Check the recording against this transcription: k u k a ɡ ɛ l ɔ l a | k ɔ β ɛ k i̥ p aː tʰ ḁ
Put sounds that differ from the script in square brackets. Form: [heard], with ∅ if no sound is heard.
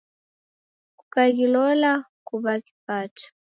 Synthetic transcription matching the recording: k u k a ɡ [i] l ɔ l a | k [u] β [a] k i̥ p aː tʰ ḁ